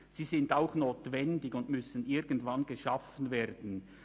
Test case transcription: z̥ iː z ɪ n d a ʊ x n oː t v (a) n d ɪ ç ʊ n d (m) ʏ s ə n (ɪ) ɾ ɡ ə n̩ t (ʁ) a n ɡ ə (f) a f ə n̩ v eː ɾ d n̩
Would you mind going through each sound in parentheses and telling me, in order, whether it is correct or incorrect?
incorrect: ɛ, correct, correct, incorrect: v, incorrect: ʃ

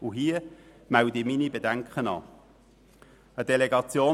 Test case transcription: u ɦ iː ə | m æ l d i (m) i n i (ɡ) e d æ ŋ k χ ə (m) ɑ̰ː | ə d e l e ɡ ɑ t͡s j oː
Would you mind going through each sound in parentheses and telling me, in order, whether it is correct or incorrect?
correct, incorrect: b, incorrect: n

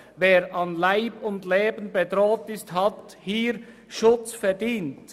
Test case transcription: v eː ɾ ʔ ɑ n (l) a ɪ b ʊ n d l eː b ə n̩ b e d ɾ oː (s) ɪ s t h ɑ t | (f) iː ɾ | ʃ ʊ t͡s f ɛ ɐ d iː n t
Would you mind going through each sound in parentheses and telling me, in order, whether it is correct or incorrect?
correct, incorrect: t, incorrect: h

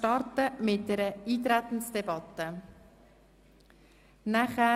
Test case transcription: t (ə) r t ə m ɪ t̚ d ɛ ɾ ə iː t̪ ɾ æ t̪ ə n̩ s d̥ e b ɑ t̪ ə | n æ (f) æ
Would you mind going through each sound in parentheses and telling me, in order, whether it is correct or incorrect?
incorrect: ɑ, incorrect: χ

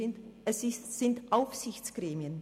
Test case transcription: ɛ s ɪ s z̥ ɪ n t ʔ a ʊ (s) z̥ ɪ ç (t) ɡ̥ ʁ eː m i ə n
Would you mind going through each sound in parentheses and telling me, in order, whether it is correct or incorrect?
incorrect: f, incorrect: t͡s

